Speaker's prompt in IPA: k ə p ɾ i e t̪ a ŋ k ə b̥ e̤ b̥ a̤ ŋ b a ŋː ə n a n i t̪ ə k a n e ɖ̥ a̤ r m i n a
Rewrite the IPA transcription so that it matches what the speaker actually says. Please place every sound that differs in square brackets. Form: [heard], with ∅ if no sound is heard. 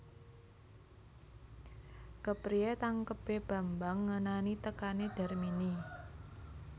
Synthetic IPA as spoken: k ə p ɾ i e t̪ a ŋ k ə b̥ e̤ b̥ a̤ [m] b a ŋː ə n a n i t̪ ə k a n e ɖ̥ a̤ r m i n [i]